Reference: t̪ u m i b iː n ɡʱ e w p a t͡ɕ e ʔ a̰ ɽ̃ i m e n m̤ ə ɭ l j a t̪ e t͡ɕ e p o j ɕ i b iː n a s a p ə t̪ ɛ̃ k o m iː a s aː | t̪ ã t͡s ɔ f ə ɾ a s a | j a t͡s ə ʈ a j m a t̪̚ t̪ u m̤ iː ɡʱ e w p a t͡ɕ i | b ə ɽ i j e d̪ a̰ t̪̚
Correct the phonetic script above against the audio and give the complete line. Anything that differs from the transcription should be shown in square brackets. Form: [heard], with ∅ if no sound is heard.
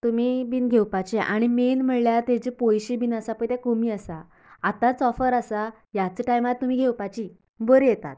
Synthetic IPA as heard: t̪ u m i b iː n ɡʱ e w p a t͡ɕ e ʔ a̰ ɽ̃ i m e n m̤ ə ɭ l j a t̪ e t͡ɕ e p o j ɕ i b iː n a s a p ə t̪ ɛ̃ k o m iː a s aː | t̪ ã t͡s ɔ f ə ɾ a s a | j a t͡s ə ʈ a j m a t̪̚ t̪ u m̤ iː ɡʱ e w p a t͡ɕ i | b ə [ɾ] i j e [t̪] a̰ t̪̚